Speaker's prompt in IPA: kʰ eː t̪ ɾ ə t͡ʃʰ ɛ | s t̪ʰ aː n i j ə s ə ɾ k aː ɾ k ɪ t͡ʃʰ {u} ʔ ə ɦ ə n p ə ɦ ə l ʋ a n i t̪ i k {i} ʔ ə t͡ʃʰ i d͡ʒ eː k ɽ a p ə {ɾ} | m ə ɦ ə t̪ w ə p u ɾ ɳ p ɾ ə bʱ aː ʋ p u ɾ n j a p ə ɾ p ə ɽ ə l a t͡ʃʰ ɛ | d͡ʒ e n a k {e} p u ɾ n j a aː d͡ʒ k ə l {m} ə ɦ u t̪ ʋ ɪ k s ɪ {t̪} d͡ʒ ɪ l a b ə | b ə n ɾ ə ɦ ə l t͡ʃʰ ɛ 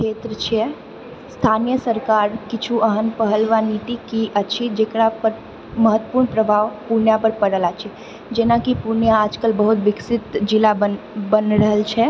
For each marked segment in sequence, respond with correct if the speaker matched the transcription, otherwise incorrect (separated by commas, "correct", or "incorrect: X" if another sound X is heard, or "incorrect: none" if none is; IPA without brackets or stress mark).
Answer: correct, correct, correct, incorrect: i, incorrect: b, correct